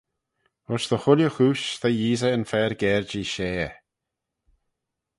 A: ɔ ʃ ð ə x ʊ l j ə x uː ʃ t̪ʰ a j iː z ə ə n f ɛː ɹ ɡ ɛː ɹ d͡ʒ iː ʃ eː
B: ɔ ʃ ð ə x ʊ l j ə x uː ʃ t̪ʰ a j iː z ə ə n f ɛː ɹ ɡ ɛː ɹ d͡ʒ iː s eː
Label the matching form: A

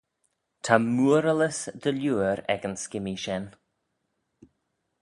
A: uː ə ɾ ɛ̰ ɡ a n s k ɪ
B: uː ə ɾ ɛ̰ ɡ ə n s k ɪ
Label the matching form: B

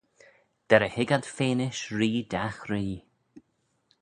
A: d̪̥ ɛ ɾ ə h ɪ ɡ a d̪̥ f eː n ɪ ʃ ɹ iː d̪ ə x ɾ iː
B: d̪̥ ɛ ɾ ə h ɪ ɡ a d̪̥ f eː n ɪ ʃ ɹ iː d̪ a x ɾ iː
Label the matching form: B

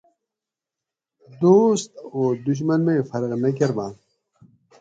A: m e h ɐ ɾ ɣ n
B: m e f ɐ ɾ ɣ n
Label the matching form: B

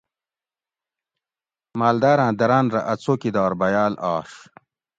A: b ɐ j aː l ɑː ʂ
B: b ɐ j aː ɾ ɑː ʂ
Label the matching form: A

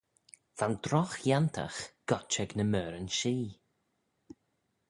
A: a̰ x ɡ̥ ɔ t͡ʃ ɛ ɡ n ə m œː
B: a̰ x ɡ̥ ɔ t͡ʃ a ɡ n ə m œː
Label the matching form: A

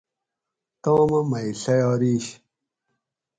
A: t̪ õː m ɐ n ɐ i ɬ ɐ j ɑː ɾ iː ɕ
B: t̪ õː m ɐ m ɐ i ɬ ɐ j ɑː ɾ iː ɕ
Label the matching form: B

